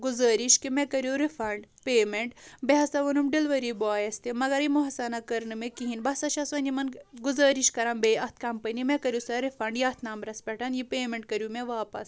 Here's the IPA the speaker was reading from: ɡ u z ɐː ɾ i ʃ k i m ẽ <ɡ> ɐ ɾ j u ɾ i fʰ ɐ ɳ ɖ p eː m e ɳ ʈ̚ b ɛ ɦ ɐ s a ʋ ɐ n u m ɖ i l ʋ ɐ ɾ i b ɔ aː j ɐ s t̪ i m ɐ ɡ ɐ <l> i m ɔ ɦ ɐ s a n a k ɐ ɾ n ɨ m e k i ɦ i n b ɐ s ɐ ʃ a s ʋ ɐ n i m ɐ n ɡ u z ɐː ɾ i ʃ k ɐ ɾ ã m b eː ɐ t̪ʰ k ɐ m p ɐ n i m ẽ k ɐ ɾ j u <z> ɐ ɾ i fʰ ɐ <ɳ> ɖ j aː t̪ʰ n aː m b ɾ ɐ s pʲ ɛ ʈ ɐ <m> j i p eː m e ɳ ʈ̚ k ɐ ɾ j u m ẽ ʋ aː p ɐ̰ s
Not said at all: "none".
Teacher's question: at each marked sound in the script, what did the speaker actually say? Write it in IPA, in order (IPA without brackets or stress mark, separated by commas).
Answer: k, ɾ, s, ɳ, n